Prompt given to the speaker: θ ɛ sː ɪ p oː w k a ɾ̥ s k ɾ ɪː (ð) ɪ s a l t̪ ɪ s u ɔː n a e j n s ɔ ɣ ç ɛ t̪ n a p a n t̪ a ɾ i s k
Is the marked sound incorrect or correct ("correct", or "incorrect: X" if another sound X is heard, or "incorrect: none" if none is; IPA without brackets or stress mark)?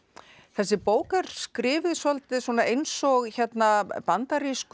incorrect: v